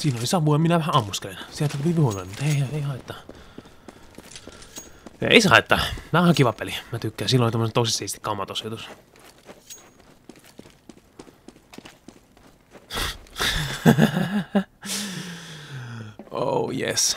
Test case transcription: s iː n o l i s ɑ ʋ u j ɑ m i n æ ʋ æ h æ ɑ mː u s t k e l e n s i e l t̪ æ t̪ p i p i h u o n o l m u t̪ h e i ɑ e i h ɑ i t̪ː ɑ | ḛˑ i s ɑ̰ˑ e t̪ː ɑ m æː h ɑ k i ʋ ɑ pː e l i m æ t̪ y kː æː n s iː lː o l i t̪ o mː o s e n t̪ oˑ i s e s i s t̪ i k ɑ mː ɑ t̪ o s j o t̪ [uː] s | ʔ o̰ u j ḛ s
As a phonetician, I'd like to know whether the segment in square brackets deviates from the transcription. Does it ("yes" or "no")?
yes